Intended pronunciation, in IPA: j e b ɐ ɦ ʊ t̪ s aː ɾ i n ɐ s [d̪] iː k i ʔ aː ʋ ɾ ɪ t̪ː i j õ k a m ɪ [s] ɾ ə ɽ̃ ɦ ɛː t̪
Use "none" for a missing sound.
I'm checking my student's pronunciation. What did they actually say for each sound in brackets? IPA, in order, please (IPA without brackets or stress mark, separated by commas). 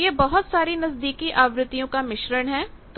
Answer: d̪, ʃ